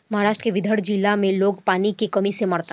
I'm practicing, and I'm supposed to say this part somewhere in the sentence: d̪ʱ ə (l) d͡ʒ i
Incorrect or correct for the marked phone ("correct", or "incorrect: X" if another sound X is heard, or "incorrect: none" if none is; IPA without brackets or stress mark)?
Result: incorrect: ɽ